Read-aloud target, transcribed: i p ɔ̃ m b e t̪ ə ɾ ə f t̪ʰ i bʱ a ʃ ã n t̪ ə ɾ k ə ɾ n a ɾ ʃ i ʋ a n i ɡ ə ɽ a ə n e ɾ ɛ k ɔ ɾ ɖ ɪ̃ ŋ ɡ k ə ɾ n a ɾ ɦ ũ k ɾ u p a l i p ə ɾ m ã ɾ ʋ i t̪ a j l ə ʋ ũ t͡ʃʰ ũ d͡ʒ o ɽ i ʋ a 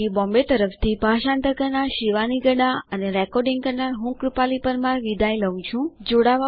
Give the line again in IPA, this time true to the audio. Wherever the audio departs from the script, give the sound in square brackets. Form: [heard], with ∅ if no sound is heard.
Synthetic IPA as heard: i [b] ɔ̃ m b e t̪ ə ɾ ə f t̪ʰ i bʱ a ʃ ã n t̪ ə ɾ k ə ɾ n a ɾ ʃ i ʋ a n i ɡ ə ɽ a ə n e ɾ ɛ k ɔ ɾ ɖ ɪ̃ ŋ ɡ k ə ɾ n a ɾ ɦ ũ k ɾ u p a l i p ə ɾ m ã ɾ ʋ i [d̪] a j l ə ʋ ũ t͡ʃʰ ũ d͡ʒ o ɽ [a] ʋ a